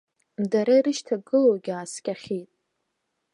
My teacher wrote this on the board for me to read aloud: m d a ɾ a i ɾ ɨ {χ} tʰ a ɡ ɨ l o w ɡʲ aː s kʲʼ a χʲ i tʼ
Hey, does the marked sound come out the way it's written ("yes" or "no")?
no